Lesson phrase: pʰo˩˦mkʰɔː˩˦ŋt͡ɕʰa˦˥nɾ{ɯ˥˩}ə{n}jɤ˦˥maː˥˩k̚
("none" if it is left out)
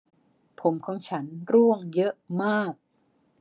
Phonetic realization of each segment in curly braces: u˥˩, ŋ

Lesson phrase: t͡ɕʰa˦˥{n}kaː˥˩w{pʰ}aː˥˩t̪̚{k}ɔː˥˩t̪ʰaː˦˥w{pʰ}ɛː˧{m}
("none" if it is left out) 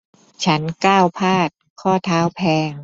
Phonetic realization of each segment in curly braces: n, pʰ, kʰ, pʰ, ŋ

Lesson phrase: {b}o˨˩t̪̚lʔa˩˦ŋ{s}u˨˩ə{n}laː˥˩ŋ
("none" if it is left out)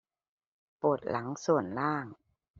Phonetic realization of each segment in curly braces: p, s, n

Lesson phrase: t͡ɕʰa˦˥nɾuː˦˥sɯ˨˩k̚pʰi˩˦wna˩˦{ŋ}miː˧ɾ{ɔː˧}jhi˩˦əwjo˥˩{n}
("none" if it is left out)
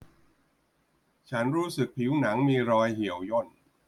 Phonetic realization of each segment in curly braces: ŋ, ɔː˧, n

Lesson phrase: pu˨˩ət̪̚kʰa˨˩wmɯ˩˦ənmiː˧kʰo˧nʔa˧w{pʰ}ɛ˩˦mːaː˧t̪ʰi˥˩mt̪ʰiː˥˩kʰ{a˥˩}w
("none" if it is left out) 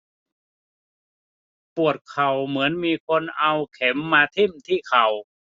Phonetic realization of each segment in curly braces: kʰ, a˨˩

